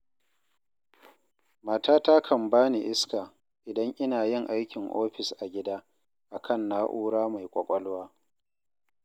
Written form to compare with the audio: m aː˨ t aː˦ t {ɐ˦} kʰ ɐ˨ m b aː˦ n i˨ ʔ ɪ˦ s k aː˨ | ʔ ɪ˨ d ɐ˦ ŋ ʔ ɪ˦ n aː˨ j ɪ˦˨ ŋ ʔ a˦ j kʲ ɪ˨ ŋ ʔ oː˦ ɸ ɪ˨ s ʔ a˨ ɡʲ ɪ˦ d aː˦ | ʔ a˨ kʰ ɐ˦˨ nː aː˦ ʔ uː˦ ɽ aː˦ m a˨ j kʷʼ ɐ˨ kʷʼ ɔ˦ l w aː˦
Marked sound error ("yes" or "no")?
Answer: yes